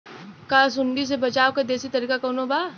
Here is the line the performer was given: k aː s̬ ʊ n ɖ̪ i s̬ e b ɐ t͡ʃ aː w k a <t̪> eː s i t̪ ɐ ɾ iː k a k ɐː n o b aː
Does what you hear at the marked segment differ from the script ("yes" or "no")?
yes